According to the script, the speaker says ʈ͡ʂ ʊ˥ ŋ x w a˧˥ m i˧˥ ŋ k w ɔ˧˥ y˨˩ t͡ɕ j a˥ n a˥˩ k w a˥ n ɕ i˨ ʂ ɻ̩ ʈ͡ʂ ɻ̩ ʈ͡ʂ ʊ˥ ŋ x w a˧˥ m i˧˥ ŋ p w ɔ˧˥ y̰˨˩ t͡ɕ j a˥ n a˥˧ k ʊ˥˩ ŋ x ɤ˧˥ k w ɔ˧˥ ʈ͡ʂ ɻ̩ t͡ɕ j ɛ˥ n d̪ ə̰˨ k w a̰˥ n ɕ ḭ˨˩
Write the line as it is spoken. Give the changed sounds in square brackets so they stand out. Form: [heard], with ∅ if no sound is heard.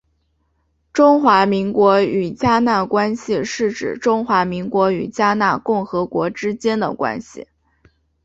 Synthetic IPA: ʈ͡ʂ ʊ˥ ŋ x w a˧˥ m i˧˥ ŋ k w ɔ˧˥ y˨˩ t͡ɕ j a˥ n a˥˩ k w a˥ n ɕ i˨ ʂ ɻ̩ ʈ͡ʂ ɻ̩ ʈ͡ʂ ʊ˥ ŋ x w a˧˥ m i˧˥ ŋ [k] w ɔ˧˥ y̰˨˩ t͡ɕ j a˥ n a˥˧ k ʊ˥˩ ŋ x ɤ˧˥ k w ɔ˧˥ ʈ͡ʂ ɻ̩ t͡ɕ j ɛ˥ n d̪ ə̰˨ k w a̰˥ n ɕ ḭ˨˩